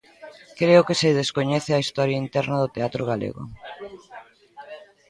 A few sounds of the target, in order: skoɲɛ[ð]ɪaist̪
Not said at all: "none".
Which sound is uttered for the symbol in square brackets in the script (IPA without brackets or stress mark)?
θ